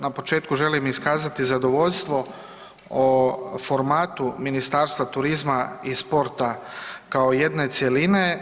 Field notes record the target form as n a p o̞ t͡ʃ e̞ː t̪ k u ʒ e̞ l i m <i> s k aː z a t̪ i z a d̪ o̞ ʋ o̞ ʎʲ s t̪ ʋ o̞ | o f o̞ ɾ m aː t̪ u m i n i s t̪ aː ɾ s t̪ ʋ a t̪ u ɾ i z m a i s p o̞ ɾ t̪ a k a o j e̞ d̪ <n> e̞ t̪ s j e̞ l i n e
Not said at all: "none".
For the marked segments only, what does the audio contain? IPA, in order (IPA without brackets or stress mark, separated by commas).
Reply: i, n